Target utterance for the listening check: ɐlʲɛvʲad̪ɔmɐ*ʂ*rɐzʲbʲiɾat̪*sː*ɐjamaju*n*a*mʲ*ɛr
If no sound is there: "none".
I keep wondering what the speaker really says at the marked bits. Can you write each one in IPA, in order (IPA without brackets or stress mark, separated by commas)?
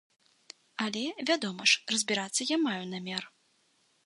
ʂ, sː, n, mʲ